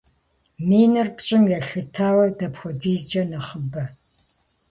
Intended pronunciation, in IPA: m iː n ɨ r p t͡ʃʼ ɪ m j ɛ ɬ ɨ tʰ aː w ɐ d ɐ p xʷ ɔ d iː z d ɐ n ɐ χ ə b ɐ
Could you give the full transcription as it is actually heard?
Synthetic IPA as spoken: m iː n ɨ r p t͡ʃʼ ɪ m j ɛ ɬ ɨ tʰ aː w ɐ d ɐ p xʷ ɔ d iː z d͡ʒ ɐ n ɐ χ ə b ɐ

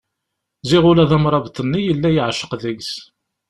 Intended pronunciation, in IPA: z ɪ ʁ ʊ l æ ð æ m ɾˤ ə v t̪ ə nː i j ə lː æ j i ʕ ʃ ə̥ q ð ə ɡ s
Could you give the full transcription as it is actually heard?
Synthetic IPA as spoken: z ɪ ʁ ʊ l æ ð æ m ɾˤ ɑ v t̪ ə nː i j ə lː æ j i ʕ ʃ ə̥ q ð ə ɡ s

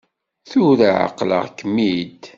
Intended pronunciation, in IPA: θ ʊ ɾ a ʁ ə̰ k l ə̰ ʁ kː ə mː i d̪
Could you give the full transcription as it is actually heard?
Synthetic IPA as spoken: θ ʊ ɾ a ʕ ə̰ q l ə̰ ʁ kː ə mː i d̪

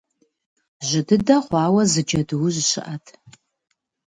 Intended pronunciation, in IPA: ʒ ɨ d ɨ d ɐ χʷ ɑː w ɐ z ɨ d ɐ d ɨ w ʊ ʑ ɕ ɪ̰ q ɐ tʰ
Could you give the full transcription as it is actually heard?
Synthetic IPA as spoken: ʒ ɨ d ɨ d ɐ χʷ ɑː w ɐ z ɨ d͡ʒ ɐ d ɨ w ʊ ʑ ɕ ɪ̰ ʔ ɐ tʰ

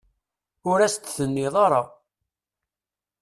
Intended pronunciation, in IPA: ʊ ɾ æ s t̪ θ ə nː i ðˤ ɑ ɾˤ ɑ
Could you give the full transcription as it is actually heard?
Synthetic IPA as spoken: ʊ ɾ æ s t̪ θ ə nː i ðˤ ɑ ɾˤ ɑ

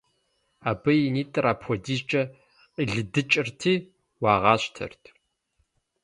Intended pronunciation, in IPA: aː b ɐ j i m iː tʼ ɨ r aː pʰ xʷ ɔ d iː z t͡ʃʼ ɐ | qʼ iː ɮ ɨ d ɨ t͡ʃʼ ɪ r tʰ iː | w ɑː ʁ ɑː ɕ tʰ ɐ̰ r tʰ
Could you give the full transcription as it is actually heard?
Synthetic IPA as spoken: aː b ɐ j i n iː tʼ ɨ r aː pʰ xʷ ɔ d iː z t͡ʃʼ ɐ | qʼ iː ɮ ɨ d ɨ t͡ʃʼ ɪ r tʰ iː | w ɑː ʁ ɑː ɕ tʰ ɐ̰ r tʰ

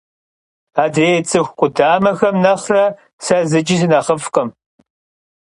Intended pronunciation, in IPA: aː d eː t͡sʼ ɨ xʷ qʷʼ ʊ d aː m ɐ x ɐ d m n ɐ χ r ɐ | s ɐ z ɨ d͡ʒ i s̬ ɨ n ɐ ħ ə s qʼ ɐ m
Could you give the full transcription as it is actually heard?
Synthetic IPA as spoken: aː d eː t͡sʼ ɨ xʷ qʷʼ ʊ d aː m ɐ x ɐ m n ɐ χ r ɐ | s ɐ z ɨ d͡ʒ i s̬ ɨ n ɐ χ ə f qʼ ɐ m

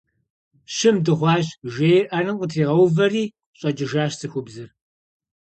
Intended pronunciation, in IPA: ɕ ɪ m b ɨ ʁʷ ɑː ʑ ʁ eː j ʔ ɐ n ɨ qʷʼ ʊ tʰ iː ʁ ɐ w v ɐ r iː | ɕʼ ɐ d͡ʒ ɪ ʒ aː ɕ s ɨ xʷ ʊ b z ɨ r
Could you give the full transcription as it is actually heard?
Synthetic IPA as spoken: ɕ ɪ m d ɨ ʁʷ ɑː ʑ ʒ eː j ʔ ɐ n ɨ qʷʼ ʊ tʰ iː ʁ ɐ w v ɐ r iː | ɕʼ ɐ d͡ʒ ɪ ʒ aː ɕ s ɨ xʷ ʊ b z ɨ r

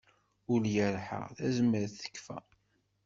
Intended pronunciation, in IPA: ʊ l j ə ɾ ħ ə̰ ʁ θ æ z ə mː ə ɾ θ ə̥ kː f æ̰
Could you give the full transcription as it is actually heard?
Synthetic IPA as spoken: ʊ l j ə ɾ ħ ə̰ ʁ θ æ z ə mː ə ɾ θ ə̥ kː f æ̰

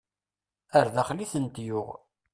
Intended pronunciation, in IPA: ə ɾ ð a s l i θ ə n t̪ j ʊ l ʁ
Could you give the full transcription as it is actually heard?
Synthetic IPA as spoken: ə ɾ ð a χ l i θ ə n t̪ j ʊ ʁ

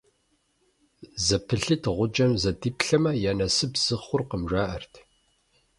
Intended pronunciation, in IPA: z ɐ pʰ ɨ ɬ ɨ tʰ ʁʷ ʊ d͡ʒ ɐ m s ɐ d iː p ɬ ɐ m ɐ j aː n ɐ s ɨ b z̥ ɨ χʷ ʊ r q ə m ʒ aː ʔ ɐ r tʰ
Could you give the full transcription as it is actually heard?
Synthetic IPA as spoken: z ɐ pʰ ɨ ɬ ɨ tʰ ʁʷ ʊ d͡ʒ ɐ m z ɐ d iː p ɬ ɐ m ɐ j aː n ɐ s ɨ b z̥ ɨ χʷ ʊ r q ə m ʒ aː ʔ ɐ r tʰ

